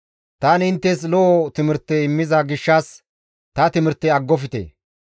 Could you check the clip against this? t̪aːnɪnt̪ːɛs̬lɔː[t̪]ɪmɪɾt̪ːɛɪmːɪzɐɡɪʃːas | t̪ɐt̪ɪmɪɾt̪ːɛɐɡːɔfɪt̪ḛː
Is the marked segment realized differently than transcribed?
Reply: no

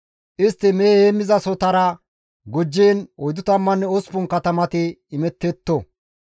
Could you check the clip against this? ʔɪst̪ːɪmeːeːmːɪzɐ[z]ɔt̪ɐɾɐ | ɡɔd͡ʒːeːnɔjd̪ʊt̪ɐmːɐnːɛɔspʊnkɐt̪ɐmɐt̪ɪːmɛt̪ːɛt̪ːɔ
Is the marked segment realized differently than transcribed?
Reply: yes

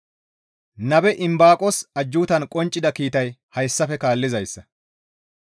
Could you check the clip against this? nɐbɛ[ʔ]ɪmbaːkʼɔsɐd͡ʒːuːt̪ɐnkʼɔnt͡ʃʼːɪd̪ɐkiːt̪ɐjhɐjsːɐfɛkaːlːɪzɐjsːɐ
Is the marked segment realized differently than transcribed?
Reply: no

